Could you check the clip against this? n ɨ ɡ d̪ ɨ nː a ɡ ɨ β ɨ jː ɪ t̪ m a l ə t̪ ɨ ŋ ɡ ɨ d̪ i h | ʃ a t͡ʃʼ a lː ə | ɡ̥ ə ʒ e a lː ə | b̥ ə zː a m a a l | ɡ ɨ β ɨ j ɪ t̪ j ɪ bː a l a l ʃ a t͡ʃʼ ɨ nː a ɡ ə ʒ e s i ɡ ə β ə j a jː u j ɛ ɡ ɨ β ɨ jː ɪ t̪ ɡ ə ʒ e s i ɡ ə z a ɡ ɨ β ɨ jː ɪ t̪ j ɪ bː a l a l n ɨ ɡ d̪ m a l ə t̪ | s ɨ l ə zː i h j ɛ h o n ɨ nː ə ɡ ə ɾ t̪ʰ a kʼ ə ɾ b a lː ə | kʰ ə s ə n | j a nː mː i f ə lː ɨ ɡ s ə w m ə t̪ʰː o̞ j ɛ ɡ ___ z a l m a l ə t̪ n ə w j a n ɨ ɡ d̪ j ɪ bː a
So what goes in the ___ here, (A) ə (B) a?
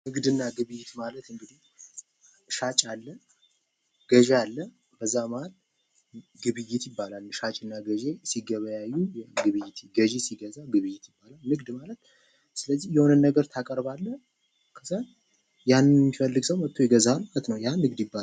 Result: A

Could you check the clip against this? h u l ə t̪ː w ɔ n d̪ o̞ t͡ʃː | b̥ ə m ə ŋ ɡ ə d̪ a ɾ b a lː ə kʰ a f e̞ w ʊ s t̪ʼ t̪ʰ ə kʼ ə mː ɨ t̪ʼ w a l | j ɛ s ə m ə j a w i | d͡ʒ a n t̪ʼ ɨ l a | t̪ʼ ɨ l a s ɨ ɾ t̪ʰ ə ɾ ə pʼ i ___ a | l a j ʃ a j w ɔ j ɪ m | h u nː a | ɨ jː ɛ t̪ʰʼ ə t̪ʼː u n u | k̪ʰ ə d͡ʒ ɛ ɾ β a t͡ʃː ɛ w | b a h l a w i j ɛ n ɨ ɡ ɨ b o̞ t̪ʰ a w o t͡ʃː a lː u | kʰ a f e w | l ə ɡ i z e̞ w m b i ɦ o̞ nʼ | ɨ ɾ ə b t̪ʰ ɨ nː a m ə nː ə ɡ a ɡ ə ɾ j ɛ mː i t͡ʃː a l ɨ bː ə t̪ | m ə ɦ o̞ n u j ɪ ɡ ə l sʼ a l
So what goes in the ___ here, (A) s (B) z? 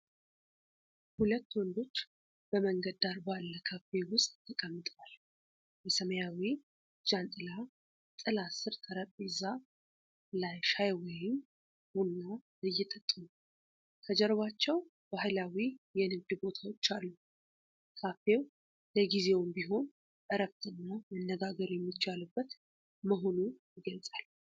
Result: B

